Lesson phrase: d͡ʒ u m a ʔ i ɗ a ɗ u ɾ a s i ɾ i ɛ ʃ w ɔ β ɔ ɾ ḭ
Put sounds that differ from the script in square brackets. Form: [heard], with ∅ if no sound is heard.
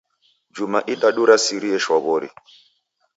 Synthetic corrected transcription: d͡ʒ u m a ʔ i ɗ a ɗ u ɾ a s i ɾ i ɛ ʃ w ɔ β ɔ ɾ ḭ